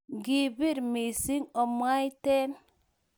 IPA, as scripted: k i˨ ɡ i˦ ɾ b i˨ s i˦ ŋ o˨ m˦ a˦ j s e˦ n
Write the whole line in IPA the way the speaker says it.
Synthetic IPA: ɡ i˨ b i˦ ɾ m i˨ s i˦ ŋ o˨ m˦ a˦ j t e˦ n